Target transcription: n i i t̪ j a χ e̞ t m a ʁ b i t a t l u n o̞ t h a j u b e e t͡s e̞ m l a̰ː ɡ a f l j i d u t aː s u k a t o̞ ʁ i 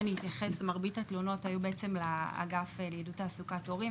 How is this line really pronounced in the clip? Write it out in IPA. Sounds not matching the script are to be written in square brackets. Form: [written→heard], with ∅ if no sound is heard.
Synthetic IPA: n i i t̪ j a χ e̞ [t→s] m a ʁ b i t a t l [u→o] n o̞ t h a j u b e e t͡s e̞ m l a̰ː ɡ a f l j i d u t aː s u k a t o̞ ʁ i